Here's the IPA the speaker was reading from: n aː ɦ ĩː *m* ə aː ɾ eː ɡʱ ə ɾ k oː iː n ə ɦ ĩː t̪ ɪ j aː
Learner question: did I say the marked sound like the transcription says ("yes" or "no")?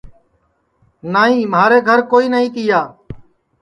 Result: yes